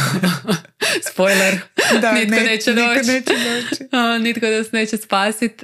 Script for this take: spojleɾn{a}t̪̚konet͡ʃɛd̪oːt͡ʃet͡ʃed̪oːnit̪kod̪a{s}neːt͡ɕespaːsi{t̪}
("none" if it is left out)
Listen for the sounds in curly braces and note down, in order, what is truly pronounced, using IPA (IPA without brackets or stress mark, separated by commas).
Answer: i, s, t̪